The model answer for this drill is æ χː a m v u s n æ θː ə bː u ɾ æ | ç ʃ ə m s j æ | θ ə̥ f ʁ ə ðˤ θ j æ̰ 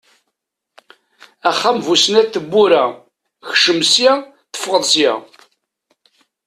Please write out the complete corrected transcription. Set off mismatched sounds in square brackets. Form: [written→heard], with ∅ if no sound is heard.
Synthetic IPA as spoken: æ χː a m v u s n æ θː ə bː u ɾ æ | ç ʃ ə m s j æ | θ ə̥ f ʁ ə ðˤ [θ→s] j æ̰